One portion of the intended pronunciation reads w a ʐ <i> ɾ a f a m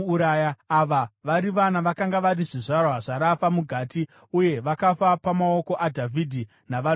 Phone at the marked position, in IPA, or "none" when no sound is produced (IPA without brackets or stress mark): a